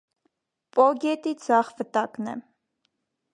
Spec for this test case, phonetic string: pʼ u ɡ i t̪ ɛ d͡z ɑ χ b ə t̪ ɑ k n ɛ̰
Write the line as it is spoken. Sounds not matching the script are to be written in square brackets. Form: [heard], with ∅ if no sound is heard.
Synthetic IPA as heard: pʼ [ɔ] ɡ [ɛ] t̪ [i] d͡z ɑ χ [v] ə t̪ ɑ k n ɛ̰